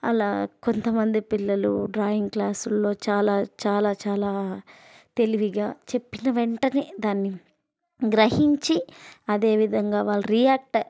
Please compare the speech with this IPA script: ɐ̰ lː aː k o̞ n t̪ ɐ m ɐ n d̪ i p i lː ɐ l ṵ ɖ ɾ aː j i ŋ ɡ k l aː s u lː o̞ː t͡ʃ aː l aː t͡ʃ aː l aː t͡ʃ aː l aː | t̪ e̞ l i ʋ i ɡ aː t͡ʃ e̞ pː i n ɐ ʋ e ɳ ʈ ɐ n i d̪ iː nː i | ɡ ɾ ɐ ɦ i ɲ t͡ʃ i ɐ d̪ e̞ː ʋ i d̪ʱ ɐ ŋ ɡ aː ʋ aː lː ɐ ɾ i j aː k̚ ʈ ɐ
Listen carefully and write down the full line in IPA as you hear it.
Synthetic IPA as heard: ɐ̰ l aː k o̞ n t̪ ɐ m ɐ n d̪ i p i lː ɐ l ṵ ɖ ɾ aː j i ŋ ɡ k l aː s u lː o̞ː t͡ʃ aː l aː t͡ʃ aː l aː t͡ʃ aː l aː | t̪ e̞ l i ʋ i ɡ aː t͡ʃ e̞ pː i n ɐ ʋ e ɳ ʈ ɐ n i d̪ aː nː i | ɡ ɾ ɐ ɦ i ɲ t͡ʃ i ɐ d̪ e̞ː ʋ i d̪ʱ ɐ ŋ ɡ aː ʋ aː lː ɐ ɾ i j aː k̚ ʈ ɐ